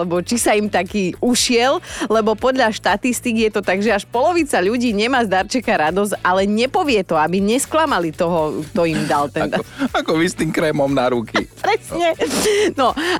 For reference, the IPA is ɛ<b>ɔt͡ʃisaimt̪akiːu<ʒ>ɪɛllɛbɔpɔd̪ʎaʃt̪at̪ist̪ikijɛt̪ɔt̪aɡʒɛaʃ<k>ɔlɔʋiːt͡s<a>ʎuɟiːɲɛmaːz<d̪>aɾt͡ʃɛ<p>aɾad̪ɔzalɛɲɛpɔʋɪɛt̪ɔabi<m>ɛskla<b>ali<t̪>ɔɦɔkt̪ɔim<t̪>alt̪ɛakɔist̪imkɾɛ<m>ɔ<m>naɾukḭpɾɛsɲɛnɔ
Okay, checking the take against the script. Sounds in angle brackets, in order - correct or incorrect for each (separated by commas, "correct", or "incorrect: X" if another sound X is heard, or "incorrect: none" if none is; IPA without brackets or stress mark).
correct, incorrect: ʃ, incorrect: p, correct, correct, incorrect: k, incorrect: ɲ, incorrect: m, correct, incorrect: d̪, correct, correct